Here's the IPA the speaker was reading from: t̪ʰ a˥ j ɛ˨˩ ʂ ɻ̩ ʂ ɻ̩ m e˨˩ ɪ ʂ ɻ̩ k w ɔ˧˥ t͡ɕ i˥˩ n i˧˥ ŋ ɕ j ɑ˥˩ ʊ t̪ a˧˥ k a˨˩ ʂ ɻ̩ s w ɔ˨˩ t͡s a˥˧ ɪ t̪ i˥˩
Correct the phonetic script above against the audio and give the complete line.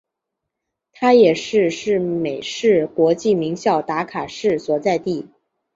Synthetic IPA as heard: t̪ʰ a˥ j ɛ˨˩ ʂ ɻ̩ ʂ ɻ̩ m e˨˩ ɪ ʂ ɻ̩ k w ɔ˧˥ t͡ɕ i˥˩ m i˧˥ ŋ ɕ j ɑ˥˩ ʊ t̪ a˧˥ kʰ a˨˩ ʂ ɻ̩ s w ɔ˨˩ t͡s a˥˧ ɪ t̪ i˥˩